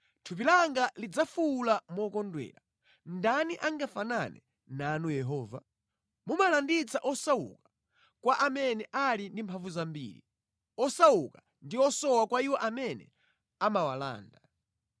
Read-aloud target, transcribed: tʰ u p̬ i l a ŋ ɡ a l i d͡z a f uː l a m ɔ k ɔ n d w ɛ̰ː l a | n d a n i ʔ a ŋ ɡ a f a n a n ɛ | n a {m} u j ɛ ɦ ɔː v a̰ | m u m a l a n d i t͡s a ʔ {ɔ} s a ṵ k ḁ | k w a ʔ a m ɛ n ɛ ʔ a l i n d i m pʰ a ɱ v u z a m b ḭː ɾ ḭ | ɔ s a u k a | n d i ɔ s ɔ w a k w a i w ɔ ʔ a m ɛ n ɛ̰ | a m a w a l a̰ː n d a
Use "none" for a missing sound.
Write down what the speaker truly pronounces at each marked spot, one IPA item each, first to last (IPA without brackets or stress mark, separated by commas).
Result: n, ɔ